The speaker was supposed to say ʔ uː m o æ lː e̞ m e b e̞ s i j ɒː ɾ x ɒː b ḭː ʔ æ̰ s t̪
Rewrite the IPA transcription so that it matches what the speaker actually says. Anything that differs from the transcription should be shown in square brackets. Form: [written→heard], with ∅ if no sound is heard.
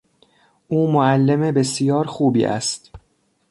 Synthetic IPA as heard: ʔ uː m o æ lː e̞ m e b e̞ s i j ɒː ɾ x [ɒː→uː] b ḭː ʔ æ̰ s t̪